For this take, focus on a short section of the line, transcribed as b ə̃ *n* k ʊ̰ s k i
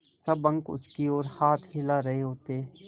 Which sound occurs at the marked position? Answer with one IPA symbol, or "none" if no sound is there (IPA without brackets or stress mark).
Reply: ŋ